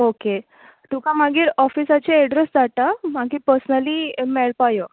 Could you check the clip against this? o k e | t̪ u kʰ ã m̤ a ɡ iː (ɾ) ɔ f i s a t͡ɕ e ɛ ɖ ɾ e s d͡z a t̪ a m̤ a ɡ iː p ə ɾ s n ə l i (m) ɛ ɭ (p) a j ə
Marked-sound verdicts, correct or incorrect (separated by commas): correct, correct, correct